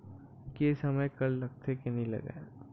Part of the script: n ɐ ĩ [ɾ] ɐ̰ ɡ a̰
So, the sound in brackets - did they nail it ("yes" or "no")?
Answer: no